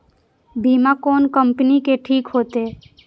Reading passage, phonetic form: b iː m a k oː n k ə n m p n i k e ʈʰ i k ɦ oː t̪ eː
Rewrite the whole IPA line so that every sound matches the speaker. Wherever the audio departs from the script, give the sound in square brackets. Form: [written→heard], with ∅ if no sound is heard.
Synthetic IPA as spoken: b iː m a k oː n k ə [n→∅] m p n i k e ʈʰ [i→iː] k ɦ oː t̪ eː